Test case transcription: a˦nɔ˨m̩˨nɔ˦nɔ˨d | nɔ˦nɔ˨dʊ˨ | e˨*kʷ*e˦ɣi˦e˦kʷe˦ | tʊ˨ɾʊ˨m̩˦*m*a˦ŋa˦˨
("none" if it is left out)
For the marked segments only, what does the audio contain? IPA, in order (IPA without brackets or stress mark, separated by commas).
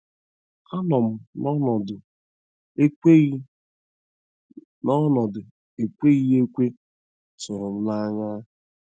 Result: kʷ, n